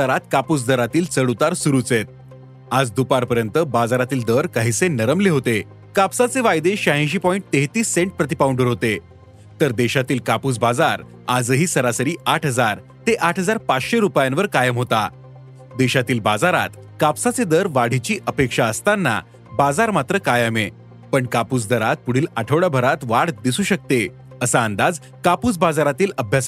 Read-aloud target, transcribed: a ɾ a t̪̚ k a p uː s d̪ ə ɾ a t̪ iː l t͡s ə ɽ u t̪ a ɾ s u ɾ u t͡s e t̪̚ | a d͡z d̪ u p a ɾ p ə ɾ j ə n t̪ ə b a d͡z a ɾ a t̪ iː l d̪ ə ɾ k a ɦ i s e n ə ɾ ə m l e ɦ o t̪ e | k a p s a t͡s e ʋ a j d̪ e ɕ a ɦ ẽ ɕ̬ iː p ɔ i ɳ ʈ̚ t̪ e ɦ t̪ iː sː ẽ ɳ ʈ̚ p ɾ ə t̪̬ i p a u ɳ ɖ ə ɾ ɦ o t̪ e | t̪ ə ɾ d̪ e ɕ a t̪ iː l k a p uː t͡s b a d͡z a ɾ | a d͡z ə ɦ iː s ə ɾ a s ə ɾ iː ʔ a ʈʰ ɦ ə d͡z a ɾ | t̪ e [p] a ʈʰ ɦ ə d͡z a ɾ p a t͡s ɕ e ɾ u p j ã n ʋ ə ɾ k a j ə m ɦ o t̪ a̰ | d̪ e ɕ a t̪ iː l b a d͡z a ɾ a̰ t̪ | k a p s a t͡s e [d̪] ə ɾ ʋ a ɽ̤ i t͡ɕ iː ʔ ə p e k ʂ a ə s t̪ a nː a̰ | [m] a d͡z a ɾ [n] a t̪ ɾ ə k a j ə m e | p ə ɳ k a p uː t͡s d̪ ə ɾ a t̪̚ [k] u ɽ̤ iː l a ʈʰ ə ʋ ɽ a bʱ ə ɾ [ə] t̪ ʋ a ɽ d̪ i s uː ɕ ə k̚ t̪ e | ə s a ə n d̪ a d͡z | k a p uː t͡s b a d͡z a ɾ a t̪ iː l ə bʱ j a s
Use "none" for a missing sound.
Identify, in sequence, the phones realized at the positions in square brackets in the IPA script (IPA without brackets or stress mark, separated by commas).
ʔ, d̪, b, m, p, a